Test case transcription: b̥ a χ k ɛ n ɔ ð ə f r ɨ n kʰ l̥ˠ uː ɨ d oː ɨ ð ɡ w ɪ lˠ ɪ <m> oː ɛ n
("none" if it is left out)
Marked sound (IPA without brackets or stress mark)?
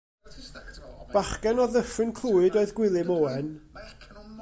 m